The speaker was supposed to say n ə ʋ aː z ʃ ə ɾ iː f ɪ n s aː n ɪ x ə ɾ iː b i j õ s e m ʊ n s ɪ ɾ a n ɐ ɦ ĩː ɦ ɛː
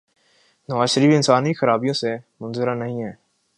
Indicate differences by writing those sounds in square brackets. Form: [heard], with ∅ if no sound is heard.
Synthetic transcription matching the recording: n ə ʋ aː z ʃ ə ɾ iː f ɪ n s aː n [i] x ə ɾ [aː] b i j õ s e m ʊ n [z] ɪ ɾ a n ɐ ɦ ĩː ɦ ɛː